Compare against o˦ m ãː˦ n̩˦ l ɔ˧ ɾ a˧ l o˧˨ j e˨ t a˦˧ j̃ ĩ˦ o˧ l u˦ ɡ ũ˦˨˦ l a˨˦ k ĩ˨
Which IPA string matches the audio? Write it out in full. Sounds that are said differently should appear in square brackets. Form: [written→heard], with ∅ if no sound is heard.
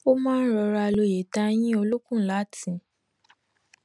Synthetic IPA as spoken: o˦ m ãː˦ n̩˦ [l→ɾ] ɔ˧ ɾ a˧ l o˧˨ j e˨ t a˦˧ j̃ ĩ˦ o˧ l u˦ [ɡ→k] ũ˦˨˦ l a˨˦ [k→t] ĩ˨